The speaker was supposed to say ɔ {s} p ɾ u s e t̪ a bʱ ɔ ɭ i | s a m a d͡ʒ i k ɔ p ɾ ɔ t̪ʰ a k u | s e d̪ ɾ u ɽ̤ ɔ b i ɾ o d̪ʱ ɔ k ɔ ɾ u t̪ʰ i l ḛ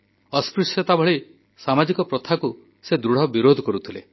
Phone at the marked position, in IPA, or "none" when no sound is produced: s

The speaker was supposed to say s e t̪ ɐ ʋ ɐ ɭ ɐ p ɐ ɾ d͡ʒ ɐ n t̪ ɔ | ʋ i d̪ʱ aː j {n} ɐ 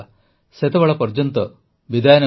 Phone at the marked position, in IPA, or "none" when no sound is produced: n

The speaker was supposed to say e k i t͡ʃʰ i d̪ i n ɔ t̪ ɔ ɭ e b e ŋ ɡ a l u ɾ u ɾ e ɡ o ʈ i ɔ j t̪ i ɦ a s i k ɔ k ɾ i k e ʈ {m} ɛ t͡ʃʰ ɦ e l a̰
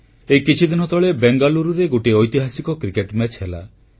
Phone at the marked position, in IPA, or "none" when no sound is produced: m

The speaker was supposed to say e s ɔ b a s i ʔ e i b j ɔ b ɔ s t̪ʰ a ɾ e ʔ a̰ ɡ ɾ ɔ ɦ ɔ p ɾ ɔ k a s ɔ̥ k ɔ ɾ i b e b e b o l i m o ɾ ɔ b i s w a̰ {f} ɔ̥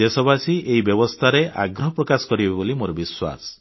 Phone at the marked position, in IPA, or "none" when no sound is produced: s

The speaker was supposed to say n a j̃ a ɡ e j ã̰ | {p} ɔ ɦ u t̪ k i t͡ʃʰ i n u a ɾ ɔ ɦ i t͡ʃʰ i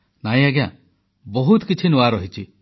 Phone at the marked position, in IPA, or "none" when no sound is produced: b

